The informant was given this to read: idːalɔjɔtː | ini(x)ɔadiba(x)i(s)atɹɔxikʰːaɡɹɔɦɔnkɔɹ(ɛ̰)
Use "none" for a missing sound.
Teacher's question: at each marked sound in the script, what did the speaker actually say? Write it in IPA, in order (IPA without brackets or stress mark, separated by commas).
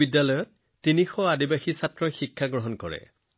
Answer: x, x, s, ɛ̰